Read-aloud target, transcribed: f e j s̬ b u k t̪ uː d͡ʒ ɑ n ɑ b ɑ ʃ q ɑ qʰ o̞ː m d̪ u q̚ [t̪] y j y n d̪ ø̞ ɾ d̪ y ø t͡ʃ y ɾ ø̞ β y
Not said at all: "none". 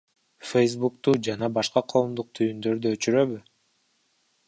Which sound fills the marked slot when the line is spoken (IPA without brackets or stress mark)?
t̪ʰ